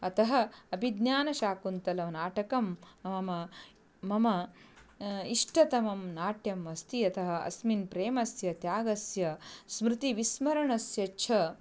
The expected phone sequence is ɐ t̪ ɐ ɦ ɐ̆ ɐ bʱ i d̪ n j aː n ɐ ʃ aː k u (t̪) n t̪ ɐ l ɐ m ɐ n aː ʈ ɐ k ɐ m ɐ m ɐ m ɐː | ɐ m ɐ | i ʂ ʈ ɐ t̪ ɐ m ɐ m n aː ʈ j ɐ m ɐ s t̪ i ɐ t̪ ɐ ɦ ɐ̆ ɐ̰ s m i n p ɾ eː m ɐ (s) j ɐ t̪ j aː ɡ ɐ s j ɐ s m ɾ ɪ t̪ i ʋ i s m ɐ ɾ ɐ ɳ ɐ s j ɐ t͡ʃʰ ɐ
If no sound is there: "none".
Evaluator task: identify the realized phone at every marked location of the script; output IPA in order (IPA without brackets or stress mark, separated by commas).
none, s